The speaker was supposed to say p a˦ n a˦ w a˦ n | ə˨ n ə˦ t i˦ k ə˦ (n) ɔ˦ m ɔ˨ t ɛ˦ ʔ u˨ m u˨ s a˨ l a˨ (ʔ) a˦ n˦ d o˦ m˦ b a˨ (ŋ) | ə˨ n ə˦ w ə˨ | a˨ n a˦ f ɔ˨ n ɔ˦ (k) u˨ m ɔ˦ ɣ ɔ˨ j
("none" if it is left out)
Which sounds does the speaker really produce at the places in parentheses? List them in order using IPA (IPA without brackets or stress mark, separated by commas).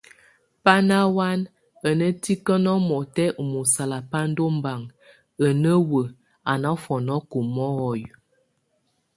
n, p, ŋ, k